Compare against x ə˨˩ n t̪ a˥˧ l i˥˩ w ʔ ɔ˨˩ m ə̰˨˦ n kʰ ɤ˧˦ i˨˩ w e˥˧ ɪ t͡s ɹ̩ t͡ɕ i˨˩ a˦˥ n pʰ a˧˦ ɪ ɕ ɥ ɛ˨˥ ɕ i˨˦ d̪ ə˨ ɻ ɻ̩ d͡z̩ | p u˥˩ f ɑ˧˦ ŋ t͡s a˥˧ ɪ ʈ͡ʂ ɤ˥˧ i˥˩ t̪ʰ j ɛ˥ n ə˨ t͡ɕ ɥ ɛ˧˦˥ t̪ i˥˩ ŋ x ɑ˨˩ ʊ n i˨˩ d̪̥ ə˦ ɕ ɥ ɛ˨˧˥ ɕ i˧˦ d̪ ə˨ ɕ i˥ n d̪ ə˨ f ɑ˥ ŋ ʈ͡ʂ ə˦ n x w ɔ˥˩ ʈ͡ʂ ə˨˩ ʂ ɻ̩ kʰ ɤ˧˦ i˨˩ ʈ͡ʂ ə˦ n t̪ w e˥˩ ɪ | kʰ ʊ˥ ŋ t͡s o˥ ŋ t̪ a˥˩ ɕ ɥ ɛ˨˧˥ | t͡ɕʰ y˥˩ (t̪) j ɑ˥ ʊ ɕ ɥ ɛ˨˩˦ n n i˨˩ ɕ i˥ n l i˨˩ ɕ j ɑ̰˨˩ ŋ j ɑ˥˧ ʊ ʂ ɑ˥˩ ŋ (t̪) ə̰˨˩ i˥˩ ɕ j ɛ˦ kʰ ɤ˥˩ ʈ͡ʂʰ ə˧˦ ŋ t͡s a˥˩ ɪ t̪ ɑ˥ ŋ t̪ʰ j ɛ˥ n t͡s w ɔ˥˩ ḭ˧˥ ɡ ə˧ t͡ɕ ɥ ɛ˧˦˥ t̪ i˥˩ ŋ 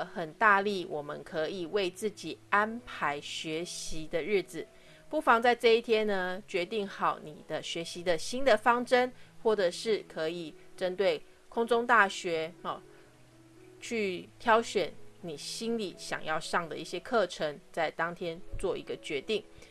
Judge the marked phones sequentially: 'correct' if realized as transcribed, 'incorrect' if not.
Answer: incorrect, incorrect

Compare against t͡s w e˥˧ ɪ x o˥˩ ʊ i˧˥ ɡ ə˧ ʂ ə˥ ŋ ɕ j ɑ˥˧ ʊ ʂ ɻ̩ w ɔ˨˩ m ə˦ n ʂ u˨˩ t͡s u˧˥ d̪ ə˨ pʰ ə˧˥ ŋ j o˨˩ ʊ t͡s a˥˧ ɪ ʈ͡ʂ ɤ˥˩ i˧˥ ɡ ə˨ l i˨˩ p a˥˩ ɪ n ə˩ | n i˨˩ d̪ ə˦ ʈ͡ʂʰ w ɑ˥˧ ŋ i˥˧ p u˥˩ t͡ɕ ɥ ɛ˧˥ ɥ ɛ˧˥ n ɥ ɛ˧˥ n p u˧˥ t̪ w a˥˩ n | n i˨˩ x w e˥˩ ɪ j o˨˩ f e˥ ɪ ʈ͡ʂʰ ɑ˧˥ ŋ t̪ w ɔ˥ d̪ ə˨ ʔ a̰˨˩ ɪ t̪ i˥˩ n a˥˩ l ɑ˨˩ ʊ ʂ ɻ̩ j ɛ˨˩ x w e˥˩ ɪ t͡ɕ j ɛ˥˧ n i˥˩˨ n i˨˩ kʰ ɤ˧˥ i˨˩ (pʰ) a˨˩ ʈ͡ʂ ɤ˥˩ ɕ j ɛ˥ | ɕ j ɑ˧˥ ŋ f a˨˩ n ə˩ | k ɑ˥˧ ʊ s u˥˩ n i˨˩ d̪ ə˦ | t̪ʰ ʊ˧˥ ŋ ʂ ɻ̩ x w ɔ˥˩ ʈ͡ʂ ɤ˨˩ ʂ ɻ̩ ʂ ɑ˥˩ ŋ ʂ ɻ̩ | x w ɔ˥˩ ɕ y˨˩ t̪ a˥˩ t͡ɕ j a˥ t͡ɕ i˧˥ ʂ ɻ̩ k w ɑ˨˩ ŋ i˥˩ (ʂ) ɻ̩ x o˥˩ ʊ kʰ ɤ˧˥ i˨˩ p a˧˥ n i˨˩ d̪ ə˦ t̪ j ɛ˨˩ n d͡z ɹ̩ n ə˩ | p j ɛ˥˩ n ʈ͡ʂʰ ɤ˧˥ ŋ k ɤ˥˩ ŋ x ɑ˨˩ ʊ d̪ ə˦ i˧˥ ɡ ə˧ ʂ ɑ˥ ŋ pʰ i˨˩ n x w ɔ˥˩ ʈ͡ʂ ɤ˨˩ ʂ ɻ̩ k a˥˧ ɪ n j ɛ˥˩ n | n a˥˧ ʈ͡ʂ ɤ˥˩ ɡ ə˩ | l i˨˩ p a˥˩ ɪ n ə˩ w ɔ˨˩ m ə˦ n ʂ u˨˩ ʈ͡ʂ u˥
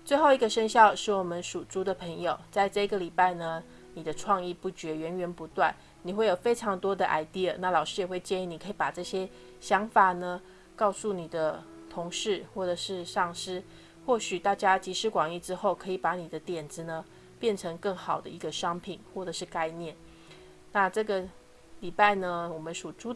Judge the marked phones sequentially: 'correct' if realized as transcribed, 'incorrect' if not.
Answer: incorrect, incorrect

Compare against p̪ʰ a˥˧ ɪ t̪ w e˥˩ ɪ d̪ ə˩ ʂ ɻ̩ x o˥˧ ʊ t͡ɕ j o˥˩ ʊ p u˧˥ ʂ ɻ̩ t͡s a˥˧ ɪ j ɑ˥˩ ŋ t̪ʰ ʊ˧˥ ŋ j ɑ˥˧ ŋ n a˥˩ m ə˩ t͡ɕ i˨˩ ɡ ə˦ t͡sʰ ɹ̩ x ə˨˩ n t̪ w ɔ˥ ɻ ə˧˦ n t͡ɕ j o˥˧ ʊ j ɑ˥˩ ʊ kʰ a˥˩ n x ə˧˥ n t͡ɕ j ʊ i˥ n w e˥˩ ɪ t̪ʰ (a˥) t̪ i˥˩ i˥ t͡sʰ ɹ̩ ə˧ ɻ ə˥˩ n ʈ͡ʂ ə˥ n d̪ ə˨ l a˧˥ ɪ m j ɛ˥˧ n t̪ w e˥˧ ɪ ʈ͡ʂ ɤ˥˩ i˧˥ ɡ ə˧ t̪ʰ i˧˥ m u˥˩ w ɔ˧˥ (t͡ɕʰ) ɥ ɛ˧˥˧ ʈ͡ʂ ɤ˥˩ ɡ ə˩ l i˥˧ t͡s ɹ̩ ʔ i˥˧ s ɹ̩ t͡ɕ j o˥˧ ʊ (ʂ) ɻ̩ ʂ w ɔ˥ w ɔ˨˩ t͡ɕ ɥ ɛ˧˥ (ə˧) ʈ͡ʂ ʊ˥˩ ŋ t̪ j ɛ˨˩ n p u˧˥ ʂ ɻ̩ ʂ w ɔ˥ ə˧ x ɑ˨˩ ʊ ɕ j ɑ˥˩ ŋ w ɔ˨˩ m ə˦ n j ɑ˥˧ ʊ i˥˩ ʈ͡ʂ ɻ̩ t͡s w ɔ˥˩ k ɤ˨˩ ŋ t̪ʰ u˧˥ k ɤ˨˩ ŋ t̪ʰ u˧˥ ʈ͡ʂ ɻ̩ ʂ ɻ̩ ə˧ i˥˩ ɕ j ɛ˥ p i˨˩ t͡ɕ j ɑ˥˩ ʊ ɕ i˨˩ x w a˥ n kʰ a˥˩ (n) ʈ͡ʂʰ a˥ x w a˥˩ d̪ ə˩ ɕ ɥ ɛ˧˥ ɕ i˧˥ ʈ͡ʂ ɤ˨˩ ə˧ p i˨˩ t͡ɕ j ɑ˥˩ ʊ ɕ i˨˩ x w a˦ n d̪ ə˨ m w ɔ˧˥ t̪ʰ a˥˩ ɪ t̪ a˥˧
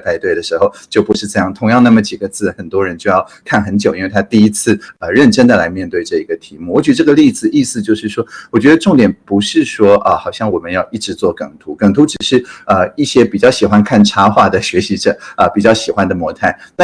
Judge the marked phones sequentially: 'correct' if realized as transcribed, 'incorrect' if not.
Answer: correct, incorrect, correct, correct, correct

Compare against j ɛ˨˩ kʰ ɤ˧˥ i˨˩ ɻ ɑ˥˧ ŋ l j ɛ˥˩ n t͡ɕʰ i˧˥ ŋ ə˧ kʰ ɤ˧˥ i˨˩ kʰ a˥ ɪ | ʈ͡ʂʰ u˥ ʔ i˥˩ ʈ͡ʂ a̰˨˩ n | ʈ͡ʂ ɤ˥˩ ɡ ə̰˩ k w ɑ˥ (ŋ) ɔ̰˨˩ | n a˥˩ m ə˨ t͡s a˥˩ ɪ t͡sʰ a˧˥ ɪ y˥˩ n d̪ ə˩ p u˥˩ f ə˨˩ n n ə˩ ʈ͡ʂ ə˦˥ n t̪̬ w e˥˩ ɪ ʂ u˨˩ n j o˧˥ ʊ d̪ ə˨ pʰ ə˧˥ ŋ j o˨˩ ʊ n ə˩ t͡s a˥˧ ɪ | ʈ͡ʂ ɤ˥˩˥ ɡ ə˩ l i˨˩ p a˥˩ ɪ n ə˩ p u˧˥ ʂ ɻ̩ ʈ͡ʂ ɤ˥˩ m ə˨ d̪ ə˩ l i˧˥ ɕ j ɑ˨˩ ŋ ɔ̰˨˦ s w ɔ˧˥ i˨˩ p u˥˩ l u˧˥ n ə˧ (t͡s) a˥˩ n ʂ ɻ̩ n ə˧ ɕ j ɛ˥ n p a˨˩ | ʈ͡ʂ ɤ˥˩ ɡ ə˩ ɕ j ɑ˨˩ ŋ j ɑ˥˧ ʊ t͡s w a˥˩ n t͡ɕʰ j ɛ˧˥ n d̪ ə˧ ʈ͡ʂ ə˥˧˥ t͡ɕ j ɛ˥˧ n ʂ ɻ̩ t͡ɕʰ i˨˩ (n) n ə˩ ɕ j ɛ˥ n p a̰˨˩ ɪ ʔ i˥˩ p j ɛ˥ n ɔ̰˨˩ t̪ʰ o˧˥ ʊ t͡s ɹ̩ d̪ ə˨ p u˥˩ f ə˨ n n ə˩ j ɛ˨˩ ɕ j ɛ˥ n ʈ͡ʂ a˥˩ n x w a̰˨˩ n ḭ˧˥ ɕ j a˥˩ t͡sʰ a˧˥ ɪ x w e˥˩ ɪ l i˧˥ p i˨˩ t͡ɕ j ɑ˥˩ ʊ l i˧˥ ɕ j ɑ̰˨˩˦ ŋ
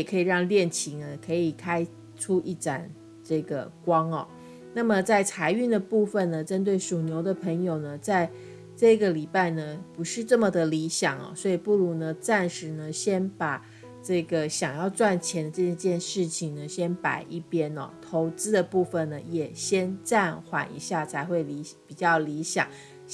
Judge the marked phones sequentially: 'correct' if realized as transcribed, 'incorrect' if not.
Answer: correct, correct, incorrect

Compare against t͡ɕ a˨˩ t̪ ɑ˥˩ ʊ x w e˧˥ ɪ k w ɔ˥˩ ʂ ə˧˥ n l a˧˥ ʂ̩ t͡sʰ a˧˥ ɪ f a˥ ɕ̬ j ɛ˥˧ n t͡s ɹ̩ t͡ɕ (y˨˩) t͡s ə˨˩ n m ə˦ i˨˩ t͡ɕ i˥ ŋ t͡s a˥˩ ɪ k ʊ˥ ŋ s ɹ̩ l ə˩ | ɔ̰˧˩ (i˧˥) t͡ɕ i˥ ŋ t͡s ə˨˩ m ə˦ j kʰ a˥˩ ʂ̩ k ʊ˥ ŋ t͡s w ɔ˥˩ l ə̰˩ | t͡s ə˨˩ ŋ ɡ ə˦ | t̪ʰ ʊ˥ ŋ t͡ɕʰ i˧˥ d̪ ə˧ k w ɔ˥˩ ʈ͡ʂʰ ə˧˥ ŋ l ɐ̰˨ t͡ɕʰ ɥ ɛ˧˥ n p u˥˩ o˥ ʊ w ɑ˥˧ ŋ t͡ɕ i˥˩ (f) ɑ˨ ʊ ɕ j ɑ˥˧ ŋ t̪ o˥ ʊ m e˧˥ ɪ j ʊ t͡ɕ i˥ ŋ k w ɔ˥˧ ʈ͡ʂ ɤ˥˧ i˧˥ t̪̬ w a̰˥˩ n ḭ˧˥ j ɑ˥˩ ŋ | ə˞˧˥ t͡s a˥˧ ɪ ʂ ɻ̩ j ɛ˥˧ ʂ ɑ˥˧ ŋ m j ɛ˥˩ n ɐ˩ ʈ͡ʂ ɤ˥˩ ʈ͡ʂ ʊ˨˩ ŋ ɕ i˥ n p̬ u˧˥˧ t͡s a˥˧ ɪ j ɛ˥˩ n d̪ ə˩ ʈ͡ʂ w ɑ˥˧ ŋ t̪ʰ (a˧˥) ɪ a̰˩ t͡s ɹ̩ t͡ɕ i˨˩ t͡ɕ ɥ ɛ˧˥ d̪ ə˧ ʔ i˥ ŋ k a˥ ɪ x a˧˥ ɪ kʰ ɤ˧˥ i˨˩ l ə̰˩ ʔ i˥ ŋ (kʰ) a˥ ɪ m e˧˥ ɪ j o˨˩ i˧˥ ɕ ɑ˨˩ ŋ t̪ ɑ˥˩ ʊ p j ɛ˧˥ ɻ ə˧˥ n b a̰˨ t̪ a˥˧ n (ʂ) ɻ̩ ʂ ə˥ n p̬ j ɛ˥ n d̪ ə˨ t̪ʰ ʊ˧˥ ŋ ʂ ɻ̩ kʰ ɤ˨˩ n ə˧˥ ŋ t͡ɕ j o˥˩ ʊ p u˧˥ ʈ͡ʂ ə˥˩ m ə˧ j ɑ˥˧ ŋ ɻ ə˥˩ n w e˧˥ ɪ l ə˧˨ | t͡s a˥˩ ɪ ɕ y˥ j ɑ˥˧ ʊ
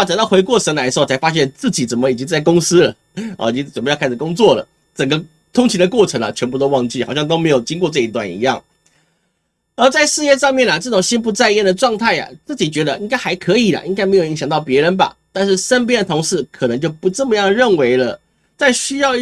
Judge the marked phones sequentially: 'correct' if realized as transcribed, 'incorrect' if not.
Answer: incorrect, incorrect, incorrect, incorrect, incorrect, correct

